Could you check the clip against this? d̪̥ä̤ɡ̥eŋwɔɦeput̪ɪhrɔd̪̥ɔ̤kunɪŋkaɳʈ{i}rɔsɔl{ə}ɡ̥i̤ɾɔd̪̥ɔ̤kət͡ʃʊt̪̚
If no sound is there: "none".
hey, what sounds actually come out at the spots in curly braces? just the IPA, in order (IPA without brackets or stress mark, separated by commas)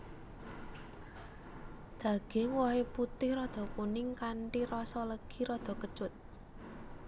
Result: i, ə